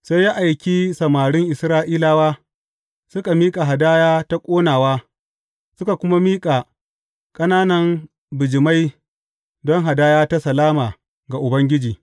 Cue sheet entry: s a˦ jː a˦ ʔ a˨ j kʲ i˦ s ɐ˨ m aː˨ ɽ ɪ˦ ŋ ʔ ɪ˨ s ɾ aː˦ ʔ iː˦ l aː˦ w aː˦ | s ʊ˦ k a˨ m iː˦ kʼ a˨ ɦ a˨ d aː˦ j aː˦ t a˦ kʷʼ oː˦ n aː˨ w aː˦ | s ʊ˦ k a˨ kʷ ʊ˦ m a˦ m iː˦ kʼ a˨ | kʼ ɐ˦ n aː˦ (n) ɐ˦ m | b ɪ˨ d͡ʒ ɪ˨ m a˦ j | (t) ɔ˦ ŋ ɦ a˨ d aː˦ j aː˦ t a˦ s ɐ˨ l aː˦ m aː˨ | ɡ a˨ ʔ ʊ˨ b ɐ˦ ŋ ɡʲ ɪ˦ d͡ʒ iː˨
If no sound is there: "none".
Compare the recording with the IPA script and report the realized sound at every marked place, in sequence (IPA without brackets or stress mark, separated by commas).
n, d